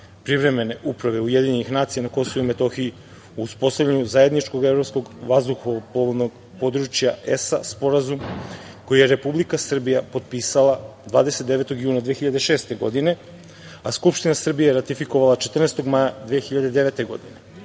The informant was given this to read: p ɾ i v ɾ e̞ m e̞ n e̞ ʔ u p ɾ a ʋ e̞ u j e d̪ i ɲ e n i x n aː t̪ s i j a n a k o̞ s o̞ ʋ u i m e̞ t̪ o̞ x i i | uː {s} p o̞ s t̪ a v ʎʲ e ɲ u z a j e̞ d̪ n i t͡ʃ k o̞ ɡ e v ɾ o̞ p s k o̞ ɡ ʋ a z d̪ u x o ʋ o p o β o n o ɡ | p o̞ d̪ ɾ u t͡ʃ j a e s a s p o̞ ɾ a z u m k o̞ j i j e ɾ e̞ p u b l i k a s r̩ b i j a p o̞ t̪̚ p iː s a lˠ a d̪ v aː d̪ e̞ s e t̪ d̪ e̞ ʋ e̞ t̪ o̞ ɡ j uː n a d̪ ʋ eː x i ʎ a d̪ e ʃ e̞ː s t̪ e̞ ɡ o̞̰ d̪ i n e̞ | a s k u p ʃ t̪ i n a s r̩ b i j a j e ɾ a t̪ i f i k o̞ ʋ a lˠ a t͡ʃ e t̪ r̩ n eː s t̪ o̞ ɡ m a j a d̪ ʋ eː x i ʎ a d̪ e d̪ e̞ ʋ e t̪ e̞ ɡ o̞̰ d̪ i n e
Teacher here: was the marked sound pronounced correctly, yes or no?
yes